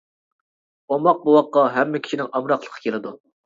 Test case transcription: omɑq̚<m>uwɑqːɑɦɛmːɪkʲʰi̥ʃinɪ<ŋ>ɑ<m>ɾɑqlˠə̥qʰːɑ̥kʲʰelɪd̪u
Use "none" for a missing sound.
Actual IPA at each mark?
b, ŋ, m

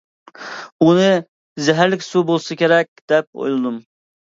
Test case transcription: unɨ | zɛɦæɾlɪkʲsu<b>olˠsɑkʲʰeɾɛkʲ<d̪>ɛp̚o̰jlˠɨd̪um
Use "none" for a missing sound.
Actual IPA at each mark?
b, d̪

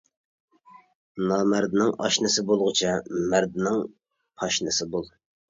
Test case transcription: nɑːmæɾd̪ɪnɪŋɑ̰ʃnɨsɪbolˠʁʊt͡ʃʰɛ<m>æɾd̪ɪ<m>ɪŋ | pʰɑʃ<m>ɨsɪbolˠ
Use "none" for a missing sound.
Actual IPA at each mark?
m, n, n

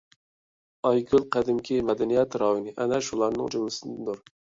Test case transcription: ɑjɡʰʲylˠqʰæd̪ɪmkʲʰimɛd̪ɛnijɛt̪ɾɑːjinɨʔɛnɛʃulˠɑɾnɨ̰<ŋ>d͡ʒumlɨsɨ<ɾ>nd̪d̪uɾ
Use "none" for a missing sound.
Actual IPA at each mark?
ŋ, none

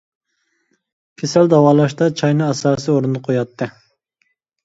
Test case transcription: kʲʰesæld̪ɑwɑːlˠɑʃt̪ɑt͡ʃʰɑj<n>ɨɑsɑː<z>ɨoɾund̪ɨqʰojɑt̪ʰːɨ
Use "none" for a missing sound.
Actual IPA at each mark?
n, s

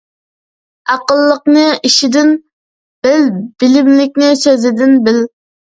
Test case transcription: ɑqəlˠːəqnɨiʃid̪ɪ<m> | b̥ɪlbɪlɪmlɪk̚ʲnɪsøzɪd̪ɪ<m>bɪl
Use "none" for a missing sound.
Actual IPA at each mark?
n, n

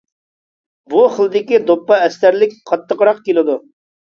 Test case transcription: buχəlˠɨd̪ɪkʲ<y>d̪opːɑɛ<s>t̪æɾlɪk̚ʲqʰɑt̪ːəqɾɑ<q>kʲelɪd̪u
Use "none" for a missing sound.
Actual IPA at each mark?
i, s, q

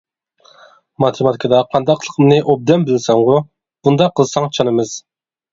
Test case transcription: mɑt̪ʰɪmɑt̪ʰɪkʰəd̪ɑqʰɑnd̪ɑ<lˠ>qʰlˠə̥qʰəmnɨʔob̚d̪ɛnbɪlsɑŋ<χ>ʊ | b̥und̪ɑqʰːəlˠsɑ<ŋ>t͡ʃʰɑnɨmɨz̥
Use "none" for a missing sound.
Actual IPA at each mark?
none, ʁ, ŋ

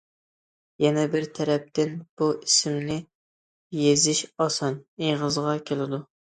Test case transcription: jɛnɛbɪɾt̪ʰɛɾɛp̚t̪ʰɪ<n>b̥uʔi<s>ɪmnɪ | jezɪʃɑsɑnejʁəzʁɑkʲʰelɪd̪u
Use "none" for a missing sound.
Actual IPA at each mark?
n, s

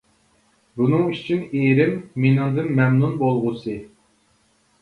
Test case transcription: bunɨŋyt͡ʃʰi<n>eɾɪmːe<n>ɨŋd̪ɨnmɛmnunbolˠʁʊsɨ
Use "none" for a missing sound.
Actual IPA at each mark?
n, n

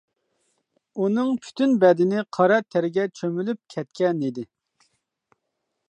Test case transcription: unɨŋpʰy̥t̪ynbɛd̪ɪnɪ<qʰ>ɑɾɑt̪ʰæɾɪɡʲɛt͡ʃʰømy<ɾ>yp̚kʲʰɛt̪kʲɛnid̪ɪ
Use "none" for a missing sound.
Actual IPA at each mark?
qʰ, l

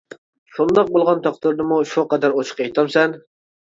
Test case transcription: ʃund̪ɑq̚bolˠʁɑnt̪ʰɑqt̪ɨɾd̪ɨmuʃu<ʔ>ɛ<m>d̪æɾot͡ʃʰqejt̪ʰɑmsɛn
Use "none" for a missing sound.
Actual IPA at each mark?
q, none

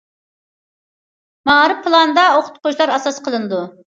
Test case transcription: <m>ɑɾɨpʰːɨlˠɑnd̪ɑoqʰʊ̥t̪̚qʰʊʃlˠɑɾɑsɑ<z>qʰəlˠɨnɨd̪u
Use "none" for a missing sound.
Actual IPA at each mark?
m, s

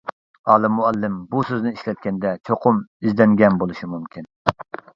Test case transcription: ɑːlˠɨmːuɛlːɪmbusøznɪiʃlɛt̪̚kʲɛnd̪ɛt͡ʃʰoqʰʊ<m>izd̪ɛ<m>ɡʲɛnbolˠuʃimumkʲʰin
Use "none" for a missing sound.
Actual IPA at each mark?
m, ŋ

